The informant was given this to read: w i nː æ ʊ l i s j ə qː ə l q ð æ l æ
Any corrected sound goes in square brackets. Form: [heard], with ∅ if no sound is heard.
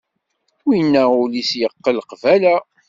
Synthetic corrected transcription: w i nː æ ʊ l i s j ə qː ə l q [v] æ l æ